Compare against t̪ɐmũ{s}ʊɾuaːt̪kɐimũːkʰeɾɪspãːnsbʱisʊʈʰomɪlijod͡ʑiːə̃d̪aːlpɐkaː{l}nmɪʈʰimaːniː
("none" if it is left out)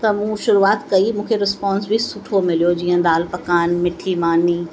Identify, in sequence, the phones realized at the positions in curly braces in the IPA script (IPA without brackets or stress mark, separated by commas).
ʃ, none